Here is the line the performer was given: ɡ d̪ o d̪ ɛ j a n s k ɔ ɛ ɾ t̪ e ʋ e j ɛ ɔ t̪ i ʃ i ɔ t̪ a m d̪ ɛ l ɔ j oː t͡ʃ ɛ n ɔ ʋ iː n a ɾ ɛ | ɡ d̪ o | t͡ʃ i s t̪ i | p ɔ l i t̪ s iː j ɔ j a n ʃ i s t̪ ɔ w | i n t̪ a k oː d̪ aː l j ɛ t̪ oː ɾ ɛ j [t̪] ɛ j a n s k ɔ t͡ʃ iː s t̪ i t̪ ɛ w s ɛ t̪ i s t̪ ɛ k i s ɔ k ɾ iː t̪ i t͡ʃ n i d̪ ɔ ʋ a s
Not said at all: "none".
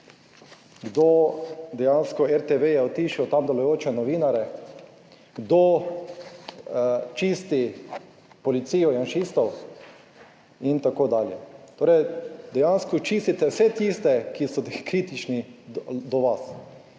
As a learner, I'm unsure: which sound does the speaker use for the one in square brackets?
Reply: d̪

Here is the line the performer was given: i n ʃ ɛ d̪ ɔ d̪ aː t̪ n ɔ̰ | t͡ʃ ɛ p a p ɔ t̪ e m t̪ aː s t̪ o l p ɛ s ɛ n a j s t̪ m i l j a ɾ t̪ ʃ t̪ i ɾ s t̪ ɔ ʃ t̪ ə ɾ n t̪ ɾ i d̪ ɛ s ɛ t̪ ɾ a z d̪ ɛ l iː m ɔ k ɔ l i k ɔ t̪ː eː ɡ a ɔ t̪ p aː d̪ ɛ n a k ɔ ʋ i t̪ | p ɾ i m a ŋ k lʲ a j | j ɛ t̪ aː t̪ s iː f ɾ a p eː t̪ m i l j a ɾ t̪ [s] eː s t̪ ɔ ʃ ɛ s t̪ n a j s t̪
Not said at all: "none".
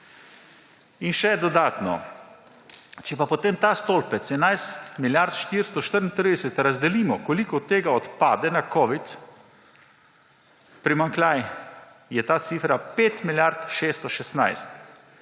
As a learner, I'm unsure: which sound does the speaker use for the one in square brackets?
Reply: ʃ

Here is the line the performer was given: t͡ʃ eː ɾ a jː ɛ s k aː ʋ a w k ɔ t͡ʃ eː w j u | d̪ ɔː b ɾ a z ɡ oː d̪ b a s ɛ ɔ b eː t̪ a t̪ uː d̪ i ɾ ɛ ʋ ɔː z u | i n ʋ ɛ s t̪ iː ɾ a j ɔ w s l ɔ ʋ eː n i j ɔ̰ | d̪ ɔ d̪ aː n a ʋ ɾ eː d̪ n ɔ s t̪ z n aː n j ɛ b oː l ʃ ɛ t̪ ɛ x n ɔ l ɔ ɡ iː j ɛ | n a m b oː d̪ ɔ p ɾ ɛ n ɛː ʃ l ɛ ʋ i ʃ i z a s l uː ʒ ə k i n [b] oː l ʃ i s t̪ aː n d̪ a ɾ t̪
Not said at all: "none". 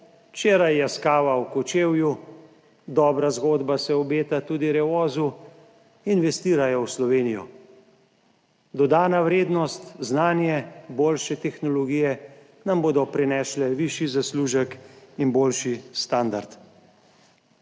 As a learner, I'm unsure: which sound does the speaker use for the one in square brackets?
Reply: b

